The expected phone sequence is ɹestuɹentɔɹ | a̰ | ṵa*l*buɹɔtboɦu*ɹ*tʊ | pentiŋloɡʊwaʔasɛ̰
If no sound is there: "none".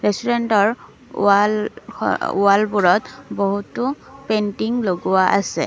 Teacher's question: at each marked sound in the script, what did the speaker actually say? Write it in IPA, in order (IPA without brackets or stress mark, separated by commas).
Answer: l, none